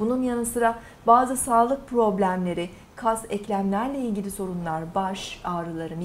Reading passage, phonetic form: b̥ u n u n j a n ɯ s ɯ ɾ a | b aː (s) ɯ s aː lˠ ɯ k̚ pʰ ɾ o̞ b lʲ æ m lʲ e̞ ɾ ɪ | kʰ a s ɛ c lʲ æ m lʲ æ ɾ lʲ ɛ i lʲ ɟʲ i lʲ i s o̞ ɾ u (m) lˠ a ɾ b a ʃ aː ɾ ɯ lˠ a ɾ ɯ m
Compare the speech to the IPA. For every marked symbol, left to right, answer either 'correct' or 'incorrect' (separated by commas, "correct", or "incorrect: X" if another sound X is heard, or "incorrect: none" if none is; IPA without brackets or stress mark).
incorrect: z, incorrect: n